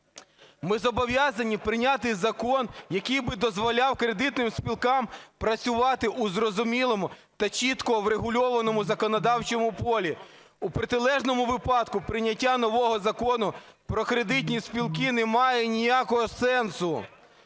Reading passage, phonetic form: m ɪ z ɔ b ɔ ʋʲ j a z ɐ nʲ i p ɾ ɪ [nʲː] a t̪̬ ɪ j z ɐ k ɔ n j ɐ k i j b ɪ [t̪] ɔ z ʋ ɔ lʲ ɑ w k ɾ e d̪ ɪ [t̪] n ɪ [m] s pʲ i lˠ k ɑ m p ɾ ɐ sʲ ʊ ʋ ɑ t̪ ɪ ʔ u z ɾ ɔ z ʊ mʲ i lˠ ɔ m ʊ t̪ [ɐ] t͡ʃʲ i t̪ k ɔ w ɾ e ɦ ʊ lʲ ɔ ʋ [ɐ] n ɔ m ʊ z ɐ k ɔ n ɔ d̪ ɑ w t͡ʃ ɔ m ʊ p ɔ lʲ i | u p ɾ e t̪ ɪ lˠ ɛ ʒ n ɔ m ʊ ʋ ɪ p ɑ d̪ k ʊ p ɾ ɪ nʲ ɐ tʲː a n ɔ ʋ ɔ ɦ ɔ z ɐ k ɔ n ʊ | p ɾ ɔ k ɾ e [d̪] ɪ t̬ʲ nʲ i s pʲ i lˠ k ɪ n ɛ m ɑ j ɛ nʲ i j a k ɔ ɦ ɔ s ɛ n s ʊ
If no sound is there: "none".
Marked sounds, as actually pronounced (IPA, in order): nʲ, d̪, t̪, m, ɐ, ɐ, d̪

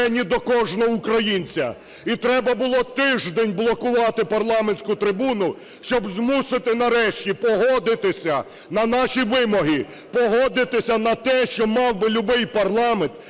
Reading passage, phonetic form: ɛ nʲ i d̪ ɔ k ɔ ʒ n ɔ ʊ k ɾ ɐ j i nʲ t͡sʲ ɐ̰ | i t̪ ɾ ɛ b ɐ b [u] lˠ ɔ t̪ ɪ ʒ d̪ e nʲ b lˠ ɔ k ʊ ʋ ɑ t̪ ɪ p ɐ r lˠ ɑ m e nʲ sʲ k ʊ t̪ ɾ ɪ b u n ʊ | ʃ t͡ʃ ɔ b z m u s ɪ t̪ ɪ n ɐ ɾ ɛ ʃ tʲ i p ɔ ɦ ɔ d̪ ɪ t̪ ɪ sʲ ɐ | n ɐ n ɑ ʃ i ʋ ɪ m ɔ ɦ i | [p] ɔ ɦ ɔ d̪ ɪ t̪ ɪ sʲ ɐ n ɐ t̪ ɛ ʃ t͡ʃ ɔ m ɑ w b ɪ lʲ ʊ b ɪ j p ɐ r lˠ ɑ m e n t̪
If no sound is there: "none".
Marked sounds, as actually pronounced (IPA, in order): ʊ, p

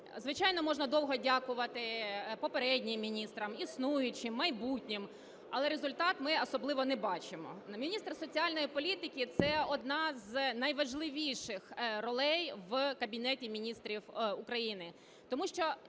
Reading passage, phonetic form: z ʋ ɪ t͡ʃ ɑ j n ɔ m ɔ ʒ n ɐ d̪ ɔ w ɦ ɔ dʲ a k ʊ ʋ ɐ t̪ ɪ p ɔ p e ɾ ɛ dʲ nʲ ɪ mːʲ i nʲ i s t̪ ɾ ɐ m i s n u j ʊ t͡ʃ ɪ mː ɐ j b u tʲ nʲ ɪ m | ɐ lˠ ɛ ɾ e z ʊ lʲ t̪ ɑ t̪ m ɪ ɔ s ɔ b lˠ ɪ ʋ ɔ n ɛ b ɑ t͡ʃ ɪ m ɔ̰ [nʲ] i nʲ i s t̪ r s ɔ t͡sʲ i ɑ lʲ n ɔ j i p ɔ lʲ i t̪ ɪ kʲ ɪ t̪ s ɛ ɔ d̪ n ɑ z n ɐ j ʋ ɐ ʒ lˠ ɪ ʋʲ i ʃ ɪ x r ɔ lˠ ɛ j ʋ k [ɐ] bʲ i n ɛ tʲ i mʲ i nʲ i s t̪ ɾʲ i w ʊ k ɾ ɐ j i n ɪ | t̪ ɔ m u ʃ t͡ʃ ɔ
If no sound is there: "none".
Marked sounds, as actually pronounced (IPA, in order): mʲ, ɐ

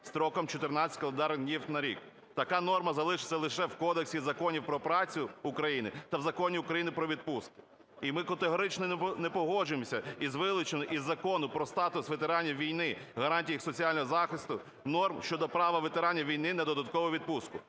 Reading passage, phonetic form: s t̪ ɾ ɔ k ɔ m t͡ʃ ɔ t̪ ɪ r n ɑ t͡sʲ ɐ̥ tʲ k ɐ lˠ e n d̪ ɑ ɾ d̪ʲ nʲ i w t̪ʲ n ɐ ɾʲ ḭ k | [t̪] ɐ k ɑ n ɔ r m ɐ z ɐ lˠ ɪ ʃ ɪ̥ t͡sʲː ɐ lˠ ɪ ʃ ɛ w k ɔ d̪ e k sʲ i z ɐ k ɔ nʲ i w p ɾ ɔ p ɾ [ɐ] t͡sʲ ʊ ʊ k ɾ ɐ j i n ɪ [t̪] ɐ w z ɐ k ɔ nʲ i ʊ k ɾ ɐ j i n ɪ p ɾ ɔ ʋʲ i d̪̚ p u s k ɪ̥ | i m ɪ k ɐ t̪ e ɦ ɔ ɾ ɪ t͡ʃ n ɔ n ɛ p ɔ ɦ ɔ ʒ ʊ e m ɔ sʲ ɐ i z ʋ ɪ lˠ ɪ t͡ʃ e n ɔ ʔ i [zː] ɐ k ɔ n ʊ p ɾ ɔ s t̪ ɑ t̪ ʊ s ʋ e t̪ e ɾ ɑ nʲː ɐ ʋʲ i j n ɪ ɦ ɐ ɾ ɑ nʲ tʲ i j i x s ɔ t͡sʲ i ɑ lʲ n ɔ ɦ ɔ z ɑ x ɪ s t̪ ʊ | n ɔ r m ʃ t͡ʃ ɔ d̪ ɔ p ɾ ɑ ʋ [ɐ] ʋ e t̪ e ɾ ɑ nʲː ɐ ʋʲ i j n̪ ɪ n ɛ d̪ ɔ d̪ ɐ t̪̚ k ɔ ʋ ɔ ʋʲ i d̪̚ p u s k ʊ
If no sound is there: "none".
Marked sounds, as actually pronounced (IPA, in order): t̪, ɑ, t̪, zː, ɐ

